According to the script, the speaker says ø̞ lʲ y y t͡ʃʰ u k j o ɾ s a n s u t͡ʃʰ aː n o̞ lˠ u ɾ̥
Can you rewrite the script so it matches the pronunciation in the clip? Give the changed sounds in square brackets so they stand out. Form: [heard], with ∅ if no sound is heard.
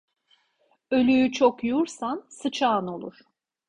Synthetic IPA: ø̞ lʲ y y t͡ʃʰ [o] k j [u] ɾ s a n s [ɯ] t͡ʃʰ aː n o̞ lˠ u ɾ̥